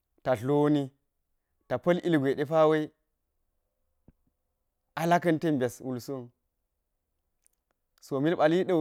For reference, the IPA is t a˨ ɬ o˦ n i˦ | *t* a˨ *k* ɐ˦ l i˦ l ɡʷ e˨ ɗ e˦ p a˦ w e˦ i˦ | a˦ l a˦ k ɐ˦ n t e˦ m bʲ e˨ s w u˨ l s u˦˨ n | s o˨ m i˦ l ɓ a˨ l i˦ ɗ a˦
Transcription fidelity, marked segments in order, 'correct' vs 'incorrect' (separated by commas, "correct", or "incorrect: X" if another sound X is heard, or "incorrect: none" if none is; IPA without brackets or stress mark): correct, incorrect: p